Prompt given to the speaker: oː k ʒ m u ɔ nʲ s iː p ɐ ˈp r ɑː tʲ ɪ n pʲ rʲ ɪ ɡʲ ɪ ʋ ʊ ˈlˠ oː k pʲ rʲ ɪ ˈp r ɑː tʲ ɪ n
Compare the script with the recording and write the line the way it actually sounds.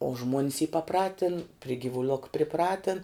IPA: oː ʒ m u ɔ nʲ s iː p ɐ ˈp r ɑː tʲ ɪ n pʲ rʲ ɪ ɡʲ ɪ ʋ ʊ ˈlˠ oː k pʲ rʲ ɪ ˈp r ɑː tʲ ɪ n